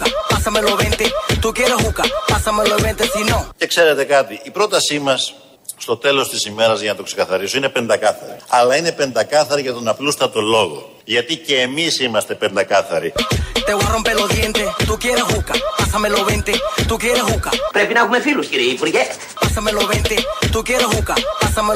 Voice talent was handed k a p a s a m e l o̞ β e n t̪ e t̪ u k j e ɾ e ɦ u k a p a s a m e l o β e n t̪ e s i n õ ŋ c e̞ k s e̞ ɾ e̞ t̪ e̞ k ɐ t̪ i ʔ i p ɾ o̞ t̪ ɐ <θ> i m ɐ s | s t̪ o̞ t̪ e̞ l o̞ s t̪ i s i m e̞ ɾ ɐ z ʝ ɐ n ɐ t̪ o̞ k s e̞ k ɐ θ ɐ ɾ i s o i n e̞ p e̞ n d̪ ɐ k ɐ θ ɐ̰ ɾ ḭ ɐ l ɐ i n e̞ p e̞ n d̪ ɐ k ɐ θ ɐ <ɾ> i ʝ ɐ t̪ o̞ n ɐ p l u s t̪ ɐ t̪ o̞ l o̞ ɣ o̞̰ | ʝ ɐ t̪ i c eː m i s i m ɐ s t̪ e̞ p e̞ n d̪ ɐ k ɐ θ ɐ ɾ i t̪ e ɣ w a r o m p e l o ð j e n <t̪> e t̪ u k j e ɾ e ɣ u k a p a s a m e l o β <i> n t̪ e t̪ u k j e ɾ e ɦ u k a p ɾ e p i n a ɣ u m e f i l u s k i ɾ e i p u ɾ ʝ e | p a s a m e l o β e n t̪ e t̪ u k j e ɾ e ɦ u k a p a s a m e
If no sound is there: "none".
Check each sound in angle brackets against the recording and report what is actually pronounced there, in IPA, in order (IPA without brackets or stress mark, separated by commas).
s, ɾ, t̪, e